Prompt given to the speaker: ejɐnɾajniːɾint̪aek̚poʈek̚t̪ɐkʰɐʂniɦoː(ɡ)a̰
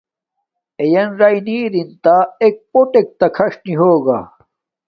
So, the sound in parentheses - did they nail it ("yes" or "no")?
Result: yes